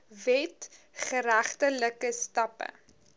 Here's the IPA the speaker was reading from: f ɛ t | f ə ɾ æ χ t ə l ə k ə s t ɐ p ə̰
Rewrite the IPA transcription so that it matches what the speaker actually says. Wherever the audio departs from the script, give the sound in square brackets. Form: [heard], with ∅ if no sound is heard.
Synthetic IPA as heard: [v] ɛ t | [χ] ə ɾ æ χ t ə l ə k ə s t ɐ p ə̰